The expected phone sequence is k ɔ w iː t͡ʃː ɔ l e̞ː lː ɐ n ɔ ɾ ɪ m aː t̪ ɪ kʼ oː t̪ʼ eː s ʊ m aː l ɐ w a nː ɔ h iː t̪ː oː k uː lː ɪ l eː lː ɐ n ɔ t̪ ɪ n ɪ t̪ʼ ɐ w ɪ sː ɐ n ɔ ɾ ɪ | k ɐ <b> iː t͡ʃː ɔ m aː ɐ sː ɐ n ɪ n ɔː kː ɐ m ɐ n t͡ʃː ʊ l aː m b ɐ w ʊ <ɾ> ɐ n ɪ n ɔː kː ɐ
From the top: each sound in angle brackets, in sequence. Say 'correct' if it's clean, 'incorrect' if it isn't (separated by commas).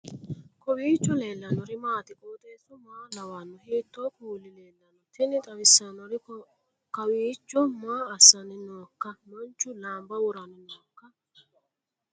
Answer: incorrect, correct